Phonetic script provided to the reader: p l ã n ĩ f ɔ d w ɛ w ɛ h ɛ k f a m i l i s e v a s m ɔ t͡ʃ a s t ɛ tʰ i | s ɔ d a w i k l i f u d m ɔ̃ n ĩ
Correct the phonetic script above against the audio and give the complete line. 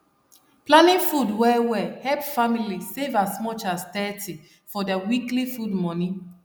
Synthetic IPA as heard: p l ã n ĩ f u d w ɛ w ɛ h ɛ p f a m i l i s e v a s m ɔ t͡ʃ a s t ɛ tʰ i | f ɔ d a w i k l i f u d m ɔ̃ n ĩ